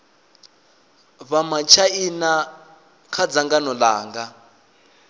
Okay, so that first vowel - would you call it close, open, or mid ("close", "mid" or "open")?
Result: open